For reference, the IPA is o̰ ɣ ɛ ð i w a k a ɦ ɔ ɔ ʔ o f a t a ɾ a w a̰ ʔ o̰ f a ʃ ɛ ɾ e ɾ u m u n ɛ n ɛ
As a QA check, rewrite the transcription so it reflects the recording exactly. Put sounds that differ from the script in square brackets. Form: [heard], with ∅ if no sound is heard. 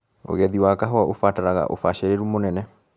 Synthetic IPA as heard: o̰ ɣ ɛ ð i w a k a ɦ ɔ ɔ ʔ o f a t a ɾ a [ɣ] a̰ ʔ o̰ f a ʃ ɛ ɾ e ɾ u m [o] n ɛ n ɛ